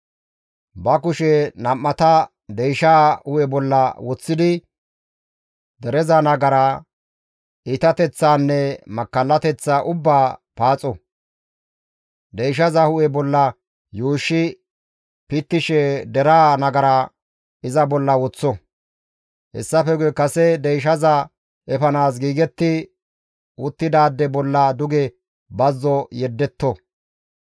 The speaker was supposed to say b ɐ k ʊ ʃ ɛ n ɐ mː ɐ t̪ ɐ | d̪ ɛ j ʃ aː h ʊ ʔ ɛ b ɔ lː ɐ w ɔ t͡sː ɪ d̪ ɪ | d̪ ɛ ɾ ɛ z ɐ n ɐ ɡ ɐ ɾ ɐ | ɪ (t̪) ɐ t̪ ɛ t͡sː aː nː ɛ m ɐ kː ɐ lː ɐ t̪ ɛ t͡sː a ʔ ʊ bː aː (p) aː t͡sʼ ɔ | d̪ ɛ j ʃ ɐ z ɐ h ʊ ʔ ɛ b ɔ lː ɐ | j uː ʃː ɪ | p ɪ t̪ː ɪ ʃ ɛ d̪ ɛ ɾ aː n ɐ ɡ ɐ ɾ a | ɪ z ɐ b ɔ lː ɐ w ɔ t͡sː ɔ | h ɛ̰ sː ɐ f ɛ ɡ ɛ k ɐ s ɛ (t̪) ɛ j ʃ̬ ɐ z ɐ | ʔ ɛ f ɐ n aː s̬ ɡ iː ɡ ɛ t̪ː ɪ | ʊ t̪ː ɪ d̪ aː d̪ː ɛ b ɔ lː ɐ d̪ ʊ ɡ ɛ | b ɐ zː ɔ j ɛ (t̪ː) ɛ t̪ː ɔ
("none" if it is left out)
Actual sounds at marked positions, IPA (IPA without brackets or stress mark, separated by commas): t̪, p, d̪, d̪ː